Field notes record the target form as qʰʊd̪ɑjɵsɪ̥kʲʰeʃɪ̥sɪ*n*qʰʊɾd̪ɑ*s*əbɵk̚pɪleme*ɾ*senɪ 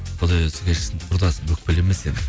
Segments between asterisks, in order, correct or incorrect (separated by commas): correct, correct, incorrect